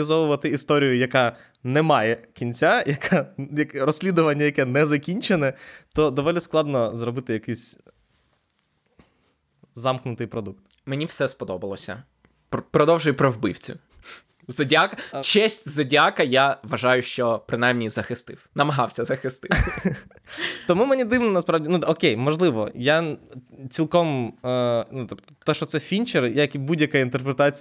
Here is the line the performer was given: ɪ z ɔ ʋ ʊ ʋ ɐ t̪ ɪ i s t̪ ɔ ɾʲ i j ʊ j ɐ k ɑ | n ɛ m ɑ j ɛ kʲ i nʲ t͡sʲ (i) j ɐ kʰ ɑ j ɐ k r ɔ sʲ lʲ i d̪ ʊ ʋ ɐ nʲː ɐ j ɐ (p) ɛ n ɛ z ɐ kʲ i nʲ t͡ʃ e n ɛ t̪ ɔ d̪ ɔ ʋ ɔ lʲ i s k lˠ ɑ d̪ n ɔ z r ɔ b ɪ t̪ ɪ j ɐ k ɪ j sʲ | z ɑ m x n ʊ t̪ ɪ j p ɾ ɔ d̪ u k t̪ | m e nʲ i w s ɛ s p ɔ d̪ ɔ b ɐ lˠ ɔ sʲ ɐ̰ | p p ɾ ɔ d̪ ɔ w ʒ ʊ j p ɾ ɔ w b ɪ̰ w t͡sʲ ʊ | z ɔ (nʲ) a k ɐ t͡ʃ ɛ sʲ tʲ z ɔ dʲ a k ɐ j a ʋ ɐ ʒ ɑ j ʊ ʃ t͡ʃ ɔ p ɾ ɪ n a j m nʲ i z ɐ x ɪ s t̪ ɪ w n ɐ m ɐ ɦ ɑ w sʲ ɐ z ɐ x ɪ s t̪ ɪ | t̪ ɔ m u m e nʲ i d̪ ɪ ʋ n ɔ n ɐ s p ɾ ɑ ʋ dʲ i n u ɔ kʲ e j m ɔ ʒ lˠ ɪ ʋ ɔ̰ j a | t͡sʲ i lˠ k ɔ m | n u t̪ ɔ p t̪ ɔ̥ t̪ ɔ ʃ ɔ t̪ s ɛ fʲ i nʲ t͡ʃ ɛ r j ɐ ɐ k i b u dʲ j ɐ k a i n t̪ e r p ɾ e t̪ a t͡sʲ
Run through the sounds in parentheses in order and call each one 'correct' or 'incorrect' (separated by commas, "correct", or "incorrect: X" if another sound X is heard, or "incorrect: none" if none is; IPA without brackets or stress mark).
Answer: incorrect: a, incorrect: k, incorrect: dʲ